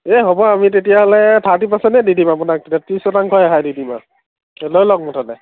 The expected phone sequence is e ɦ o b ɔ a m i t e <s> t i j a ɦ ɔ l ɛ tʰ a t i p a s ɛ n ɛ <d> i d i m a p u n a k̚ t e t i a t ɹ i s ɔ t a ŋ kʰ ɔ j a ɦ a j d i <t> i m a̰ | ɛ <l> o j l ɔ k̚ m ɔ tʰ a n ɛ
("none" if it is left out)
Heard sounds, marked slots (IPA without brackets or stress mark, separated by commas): none, d, d, l